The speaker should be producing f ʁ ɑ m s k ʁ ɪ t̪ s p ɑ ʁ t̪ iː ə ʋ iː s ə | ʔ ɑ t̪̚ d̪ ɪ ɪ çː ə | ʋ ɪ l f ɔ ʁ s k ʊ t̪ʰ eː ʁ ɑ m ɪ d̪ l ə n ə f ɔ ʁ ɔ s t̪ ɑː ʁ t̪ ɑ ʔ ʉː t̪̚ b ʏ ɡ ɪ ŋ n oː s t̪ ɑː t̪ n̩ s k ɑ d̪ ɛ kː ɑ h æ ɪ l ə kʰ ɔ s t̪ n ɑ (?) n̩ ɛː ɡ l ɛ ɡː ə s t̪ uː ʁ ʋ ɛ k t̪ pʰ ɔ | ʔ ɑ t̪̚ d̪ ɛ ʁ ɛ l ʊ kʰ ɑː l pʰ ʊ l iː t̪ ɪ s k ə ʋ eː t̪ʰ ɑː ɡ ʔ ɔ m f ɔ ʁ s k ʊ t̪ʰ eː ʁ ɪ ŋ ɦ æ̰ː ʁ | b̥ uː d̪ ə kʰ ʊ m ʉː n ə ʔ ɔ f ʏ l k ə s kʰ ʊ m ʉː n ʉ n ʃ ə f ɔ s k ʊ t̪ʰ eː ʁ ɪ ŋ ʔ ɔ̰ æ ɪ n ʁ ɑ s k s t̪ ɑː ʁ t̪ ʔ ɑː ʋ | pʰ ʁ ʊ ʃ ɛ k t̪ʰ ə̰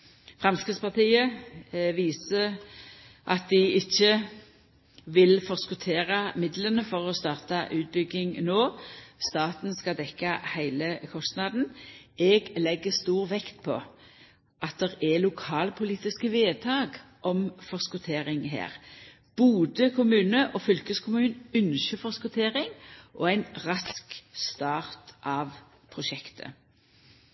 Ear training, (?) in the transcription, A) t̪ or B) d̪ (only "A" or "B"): B